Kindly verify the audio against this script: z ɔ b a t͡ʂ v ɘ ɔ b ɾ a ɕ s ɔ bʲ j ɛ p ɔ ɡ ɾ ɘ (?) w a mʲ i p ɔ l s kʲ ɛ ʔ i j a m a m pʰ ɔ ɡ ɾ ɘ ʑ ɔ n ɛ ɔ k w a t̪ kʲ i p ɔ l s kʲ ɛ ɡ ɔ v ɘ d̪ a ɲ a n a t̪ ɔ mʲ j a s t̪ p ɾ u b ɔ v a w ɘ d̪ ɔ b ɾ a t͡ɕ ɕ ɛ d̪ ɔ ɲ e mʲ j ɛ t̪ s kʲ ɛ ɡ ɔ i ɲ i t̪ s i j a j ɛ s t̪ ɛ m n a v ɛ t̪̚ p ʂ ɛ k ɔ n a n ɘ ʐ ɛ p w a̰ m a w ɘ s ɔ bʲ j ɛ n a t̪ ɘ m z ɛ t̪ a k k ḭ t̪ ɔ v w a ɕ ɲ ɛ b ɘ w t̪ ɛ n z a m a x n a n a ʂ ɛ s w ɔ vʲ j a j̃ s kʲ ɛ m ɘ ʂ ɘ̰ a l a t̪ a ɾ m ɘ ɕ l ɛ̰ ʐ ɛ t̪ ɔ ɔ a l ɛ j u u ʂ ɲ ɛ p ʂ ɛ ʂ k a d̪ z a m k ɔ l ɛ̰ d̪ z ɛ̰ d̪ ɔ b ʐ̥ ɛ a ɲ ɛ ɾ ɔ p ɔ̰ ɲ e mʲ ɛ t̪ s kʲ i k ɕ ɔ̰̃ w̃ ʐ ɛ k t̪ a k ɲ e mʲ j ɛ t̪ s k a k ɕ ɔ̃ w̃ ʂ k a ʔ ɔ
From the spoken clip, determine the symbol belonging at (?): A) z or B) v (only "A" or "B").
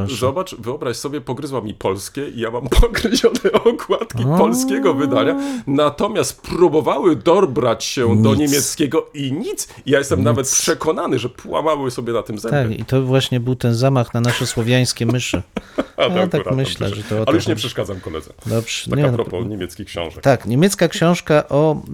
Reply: A